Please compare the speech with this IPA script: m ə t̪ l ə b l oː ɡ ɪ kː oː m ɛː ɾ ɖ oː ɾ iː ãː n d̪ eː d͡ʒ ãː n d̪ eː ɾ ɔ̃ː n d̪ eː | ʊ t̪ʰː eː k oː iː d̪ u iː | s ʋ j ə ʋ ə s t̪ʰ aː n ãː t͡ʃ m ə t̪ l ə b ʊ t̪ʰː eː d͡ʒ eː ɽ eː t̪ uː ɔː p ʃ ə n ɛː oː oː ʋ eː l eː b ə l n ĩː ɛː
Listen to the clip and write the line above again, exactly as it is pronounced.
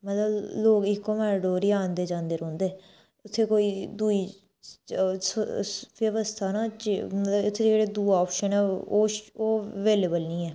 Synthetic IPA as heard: m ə t̪ l ə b l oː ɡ ɪ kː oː m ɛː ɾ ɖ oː ɾ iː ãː n d̪ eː d͡ʒ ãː n d̪ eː ɾ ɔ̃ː n d̪ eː | ʊ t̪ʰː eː k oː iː d̪ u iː | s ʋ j ə ʋ ə s t̪ʰ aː n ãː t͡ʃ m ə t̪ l ə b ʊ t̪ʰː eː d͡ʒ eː ɽ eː d̪ uː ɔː p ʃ ə n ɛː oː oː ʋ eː l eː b ə l n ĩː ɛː

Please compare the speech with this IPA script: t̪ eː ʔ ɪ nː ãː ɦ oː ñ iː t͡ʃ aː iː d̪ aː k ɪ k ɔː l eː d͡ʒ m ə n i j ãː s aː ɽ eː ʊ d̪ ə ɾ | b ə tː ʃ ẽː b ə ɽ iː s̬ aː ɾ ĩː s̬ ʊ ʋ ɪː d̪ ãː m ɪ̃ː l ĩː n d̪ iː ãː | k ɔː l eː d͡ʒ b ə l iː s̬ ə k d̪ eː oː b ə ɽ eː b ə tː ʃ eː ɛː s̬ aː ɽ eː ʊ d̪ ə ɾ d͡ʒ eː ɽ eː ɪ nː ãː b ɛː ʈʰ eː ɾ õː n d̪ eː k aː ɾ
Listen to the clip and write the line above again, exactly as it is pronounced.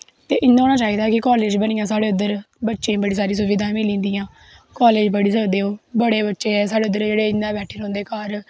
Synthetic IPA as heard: t̪ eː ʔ ɪ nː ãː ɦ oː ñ aː t͡ʃ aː iː d̪ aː k ɪ k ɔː l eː d͡ʒ b ə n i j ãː s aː ɽ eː ʊ d̪ ə ɾ | b ə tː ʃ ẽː b ə ɽ iː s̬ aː ɾ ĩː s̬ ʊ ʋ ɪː d̪ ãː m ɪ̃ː l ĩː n d̪ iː ãː | k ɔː l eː d͡ʒ b ə ɽ iː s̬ ə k d̪ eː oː b ə ɽ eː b ə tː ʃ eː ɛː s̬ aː ɽ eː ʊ d̪ ə ɾ d͡ʒ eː ɽ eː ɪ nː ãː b ɛː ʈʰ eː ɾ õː n d̪ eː k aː ɾ

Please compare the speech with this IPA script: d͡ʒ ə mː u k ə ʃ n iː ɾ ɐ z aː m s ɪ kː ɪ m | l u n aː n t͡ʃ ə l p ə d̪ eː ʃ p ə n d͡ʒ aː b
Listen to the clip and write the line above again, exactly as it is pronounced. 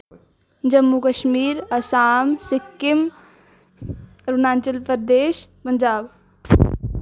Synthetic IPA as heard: d͡ʒ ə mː u k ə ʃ m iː ɾ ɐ s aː m s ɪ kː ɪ m | ɾ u n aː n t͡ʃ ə l p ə d̪ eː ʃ p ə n d͡ʒ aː b

